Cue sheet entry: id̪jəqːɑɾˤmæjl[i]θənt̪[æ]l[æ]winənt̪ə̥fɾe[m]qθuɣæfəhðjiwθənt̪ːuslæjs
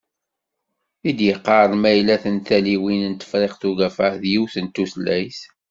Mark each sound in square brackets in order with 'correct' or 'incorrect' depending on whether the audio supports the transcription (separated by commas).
incorrect, correct, incorrect, incorrect